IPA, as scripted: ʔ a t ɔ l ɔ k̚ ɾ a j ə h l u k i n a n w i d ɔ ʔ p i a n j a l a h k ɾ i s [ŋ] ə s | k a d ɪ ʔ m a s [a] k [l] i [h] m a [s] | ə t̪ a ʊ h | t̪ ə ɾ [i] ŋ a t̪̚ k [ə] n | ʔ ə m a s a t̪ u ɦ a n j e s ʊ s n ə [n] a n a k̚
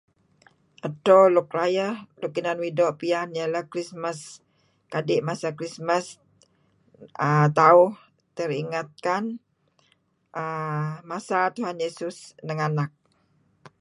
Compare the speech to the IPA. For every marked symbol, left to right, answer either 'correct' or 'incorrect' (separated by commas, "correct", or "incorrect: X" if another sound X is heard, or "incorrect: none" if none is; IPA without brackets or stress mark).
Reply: incorrect: m, correct, incorrect: ɾ, incorrect: s, correct, correct, incorrect: a, incorrect: ŋ